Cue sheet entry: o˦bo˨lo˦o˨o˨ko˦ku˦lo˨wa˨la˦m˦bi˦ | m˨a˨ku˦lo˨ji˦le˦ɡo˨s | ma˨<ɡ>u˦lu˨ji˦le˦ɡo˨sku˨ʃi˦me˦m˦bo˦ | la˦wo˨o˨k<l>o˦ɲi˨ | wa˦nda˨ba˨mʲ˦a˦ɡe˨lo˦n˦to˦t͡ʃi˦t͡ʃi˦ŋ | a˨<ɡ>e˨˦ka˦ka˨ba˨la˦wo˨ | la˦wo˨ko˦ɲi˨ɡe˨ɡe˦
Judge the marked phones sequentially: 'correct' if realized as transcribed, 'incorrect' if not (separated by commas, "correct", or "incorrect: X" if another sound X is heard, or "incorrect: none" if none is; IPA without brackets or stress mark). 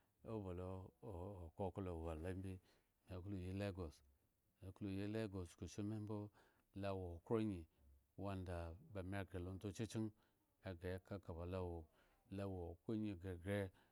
incorrect: k, incorrect: ɾ, correct